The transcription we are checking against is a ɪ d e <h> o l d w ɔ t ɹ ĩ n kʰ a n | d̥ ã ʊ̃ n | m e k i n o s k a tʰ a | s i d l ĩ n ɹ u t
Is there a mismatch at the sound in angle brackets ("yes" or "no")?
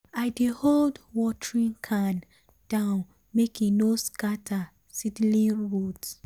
no